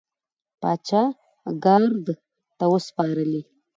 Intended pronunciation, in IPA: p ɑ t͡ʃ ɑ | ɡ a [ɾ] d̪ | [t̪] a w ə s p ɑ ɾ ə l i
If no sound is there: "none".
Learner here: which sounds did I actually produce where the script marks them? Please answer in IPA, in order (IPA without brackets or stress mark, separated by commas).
ɾ, t̪